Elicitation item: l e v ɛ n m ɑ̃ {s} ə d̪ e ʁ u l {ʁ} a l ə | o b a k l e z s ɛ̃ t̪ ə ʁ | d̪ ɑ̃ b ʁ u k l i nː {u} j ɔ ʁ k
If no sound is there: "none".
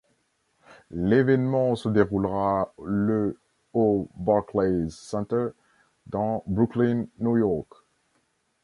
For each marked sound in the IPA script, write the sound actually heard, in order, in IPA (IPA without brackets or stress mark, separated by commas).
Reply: s, ʁ, u